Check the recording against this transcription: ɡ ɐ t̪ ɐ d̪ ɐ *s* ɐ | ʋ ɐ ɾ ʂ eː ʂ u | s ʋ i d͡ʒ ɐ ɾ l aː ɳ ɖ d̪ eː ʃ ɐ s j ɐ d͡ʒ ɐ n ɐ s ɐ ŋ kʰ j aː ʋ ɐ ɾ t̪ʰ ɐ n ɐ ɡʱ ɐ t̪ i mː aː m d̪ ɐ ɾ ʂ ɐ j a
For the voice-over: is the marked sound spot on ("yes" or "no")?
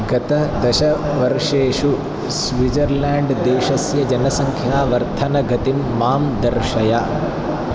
no